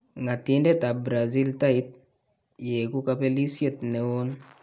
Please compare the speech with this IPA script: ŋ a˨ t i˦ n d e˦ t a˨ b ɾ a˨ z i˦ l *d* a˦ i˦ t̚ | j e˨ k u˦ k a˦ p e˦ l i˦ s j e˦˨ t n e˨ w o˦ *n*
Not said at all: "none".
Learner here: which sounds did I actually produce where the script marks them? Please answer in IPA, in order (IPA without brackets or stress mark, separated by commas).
t, n